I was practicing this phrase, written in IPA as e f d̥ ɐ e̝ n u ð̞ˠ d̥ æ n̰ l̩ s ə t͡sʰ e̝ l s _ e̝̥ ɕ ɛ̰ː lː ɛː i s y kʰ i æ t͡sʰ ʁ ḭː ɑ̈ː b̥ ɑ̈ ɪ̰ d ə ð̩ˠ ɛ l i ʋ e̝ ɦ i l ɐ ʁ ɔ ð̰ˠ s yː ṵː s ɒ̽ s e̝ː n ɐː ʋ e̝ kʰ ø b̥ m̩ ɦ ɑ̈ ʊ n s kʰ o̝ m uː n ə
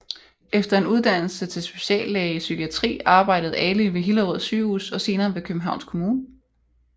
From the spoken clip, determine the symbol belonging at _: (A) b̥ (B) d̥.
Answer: A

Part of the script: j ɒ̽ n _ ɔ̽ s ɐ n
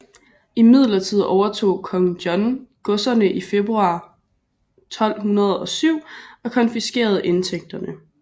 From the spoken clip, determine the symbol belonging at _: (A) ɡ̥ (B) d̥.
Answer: A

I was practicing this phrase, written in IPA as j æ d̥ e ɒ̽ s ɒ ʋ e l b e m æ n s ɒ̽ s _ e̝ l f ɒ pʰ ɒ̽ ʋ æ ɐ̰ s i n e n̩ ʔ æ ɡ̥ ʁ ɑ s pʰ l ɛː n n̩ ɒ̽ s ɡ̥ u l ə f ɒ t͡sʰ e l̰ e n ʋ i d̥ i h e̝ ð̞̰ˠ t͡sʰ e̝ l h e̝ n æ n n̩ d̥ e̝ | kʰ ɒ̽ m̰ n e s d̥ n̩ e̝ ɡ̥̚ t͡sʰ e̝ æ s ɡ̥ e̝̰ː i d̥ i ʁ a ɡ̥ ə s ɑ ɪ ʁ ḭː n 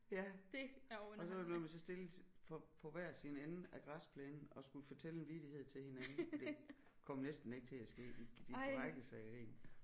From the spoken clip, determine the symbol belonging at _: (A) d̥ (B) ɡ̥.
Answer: A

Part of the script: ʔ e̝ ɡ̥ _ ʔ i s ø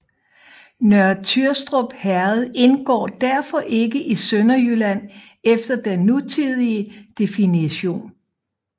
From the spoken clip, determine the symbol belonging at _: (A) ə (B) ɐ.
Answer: A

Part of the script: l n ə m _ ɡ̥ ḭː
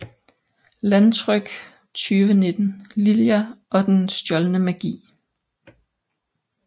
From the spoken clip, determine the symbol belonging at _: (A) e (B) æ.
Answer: B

